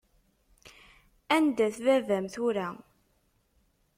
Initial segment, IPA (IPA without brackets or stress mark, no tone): æ